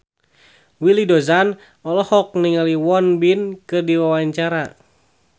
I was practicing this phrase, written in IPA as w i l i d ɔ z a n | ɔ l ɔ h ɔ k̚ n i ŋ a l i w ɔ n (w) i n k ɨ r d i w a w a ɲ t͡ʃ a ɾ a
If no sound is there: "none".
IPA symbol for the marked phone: b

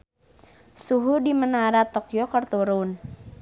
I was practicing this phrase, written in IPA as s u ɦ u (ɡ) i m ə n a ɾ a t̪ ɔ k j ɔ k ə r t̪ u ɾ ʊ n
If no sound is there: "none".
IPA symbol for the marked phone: d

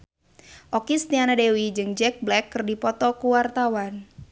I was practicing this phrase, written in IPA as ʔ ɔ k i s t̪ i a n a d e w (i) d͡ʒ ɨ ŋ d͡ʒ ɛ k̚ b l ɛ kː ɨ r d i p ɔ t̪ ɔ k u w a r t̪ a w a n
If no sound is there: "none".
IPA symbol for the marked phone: i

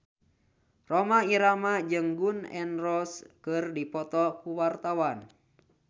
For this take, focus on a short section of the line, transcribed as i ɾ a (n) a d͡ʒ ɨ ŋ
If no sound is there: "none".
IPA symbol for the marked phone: m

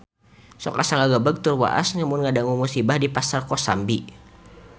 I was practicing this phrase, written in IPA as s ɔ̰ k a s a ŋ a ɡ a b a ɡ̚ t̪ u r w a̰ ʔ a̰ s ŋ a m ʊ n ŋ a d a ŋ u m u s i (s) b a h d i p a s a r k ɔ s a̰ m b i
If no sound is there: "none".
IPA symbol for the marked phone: none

